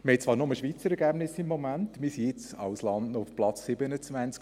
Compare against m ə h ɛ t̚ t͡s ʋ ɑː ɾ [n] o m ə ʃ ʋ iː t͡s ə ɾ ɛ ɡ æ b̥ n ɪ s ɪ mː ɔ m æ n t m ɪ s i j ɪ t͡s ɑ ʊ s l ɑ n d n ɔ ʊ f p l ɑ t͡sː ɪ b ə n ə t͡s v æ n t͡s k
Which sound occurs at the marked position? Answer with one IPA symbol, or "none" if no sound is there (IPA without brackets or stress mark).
n